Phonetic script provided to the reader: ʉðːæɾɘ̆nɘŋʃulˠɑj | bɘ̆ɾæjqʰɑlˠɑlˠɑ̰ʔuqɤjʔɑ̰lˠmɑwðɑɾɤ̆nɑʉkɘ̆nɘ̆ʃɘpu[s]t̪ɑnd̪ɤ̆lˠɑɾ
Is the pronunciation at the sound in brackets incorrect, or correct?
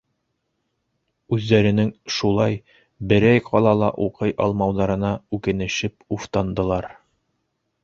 incorrect: f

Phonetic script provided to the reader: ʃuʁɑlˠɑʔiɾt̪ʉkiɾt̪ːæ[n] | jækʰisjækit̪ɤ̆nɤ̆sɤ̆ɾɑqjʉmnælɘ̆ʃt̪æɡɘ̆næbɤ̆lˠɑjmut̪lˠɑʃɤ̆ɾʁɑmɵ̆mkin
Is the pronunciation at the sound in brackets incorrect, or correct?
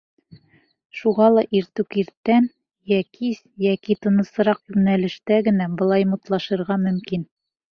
correct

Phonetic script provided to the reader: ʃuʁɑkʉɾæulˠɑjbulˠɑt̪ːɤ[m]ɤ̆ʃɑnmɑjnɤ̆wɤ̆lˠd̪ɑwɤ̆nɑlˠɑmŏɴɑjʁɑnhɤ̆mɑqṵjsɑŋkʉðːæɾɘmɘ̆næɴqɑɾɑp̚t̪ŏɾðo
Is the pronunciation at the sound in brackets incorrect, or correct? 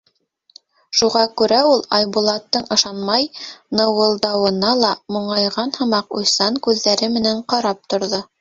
incorrect: ɴ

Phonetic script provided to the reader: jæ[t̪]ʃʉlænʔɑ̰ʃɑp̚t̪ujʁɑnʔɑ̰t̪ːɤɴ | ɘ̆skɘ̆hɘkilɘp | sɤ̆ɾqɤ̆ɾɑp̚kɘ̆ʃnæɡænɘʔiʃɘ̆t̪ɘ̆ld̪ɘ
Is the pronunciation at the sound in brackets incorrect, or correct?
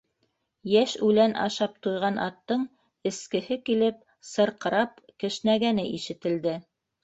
incorrect: none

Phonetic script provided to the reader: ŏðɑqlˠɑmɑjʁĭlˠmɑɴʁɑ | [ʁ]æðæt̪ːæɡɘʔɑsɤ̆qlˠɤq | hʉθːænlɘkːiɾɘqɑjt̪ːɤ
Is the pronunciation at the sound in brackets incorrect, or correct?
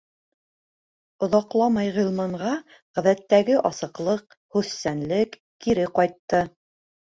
correct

